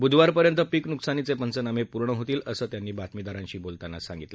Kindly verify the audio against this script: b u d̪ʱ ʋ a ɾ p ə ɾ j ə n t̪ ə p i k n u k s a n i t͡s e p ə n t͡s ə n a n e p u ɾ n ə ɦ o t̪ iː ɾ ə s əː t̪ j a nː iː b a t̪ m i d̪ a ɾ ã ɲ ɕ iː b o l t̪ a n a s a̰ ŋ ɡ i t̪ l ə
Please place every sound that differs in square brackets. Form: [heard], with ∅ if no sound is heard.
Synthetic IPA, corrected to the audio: b u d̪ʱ ʋ a ɾ p ə ɾ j ə n t̪ ə p i k n u k s a n i t͡s e p ə n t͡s ə n a [m] e p u ɾ [ɳ] ə ɦ o t̪ iː [l] ə s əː t̪ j a nː iː b a t̪ m i d̪ a ɾ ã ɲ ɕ iː b o l t̪ a n a s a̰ ŋ ɡ i t̪ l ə